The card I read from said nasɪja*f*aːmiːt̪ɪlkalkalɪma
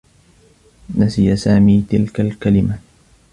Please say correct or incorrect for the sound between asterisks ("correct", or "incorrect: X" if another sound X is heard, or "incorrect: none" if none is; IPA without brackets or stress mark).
incorrect: s